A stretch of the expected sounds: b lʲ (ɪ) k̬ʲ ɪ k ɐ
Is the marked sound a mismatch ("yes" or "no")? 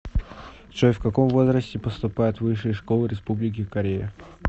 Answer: no